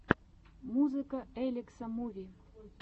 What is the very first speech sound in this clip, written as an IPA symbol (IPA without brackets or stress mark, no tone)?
m